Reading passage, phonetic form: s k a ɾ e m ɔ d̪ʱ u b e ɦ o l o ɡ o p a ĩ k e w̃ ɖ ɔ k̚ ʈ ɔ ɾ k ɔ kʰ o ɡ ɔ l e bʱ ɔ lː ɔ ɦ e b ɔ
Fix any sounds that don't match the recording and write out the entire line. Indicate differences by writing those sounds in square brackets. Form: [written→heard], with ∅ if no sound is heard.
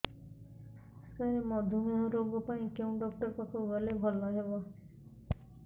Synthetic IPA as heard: s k a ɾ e m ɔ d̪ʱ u [b→m] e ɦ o [l→ɾ] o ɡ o p a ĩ k e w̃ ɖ ɔ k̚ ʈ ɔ ɾ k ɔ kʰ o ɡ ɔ l e bʱ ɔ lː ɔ ɦ e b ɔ